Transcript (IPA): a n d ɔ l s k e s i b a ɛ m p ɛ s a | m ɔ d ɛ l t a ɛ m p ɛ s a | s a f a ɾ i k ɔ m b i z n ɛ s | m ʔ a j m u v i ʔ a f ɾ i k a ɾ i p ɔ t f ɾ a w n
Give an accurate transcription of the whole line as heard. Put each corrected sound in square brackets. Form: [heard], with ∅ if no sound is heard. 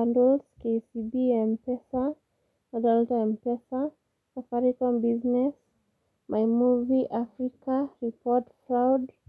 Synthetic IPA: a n d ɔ l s k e s i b [i] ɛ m p ɛ s a | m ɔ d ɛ l t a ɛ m p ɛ s a | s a f a ɾ i k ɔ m b i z n ɛ s | m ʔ a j m u v i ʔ a f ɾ i k a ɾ i p ɔ t f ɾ a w [d]